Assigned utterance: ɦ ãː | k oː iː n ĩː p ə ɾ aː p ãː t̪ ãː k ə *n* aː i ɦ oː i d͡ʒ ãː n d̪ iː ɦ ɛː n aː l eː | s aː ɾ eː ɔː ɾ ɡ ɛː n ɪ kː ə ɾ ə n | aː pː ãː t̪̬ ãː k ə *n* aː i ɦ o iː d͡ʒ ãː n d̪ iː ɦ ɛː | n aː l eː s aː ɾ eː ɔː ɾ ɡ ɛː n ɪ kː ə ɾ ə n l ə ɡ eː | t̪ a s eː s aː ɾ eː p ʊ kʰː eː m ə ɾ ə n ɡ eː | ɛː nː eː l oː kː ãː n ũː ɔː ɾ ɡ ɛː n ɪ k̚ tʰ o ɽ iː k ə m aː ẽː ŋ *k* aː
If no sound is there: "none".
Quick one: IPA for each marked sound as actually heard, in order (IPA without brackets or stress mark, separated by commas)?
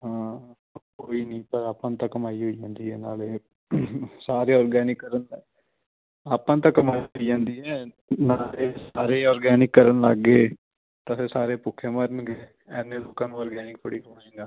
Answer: m, m, ɡ